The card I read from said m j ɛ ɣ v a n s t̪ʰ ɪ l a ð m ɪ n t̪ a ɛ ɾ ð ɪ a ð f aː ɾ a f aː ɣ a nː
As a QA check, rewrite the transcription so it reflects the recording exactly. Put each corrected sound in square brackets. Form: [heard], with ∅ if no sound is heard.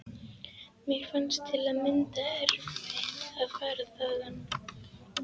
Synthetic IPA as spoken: m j ɛ ɣ [f] a n s t̪ʰ ɪ l a ð m ɪ n t̪ a ɛ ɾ [v] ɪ a ð f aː ɾ a [θ] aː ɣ a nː